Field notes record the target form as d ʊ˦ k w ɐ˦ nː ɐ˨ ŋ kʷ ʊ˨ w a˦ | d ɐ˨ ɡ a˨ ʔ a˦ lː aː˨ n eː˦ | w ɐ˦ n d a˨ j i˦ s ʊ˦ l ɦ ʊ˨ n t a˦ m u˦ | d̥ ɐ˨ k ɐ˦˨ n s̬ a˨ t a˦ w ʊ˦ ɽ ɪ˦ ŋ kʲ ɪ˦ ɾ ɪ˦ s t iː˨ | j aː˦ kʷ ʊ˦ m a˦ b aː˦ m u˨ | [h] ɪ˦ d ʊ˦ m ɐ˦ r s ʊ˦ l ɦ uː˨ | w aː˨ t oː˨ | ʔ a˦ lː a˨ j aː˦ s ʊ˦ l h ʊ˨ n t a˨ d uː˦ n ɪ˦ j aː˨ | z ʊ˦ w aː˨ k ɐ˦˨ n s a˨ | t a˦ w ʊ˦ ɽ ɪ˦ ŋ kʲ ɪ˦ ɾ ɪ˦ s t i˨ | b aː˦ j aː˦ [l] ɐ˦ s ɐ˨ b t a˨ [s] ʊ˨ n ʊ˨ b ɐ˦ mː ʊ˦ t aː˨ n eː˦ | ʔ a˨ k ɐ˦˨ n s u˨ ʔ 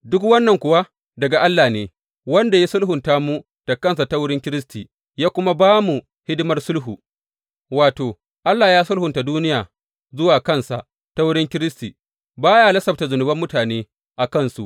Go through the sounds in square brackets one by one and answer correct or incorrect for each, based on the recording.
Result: correct, correct, incorrect: z

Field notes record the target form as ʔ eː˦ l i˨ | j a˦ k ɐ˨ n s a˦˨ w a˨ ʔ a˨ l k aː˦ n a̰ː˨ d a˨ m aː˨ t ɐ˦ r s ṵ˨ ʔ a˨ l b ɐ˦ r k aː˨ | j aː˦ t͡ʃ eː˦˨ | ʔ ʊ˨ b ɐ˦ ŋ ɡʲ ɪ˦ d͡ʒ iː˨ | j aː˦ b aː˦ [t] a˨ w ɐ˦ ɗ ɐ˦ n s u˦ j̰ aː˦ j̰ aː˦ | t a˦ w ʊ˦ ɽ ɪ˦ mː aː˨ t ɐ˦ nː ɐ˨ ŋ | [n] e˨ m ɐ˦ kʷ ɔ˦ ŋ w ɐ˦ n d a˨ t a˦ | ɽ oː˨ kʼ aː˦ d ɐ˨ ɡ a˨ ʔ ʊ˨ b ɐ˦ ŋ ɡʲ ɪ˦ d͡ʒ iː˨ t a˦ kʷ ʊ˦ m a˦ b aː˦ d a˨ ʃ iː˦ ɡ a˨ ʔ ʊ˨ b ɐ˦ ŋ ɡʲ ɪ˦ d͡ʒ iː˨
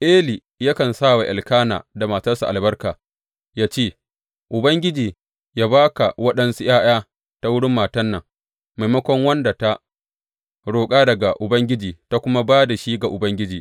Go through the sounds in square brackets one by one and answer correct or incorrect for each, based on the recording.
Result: incorrect: k, incorrect: m

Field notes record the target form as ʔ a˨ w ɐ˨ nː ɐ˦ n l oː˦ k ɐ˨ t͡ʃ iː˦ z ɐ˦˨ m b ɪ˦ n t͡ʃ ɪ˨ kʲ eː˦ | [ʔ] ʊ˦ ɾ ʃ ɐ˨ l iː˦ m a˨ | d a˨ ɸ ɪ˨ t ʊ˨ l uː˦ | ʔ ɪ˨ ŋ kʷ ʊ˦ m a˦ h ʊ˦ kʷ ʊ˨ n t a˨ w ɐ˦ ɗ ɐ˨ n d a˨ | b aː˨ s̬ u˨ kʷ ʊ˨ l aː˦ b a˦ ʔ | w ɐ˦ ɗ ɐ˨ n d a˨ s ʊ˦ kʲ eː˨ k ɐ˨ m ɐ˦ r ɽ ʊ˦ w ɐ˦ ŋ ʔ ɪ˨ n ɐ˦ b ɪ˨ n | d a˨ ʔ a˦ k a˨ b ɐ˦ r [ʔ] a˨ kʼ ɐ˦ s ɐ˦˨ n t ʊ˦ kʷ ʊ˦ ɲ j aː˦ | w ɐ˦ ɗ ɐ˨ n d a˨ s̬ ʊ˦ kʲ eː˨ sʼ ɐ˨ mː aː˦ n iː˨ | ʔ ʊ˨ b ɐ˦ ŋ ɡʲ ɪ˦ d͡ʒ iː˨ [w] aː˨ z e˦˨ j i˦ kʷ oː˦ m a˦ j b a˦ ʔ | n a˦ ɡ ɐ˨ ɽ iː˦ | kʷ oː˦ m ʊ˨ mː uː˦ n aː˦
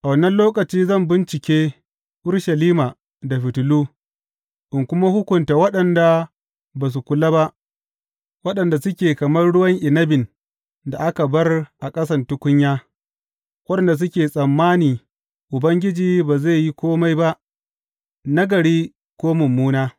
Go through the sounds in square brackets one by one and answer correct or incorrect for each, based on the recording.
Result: correct, correct, incorrect: b

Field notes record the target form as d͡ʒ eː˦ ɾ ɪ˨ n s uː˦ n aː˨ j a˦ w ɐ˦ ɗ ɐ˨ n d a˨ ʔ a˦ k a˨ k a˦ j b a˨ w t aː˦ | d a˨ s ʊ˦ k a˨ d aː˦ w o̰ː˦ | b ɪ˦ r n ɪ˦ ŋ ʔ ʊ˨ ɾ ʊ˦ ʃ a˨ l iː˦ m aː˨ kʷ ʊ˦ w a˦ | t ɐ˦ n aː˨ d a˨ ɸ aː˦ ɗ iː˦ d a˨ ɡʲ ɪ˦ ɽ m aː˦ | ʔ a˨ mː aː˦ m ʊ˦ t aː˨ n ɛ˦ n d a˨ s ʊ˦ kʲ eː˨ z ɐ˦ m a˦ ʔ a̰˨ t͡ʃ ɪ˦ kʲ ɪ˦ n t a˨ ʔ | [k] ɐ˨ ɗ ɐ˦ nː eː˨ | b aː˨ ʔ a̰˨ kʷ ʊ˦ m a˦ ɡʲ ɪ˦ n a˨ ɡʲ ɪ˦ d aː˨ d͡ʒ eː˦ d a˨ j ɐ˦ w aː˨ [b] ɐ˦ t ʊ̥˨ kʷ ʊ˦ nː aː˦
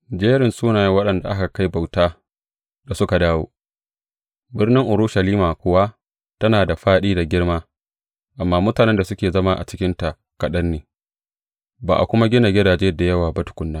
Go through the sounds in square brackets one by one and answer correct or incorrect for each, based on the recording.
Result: correct, correct

